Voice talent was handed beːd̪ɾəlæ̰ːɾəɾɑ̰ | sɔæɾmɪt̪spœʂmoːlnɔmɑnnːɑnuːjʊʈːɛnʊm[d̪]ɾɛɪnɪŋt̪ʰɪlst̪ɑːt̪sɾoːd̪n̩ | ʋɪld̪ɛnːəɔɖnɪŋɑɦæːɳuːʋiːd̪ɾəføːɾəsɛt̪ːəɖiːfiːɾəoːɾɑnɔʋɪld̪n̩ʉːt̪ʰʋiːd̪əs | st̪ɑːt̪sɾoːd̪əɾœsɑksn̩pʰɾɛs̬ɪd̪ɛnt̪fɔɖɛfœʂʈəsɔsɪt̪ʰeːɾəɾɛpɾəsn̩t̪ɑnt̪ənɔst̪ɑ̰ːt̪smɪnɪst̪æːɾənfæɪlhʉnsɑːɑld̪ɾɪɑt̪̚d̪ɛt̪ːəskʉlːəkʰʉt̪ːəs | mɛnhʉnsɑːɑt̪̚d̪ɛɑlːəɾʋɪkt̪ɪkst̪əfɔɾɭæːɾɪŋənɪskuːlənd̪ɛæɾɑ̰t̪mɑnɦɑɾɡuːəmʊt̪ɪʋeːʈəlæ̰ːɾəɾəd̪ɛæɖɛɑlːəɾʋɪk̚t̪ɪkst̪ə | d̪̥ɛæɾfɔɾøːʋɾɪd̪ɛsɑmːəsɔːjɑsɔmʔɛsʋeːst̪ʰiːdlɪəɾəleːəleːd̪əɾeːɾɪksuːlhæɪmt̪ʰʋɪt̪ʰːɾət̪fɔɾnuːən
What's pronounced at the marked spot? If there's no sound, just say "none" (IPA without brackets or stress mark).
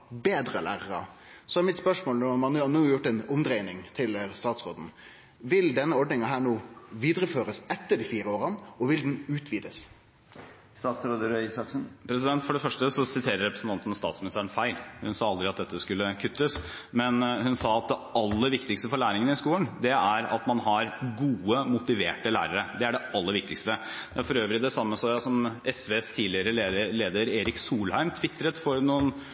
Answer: d̪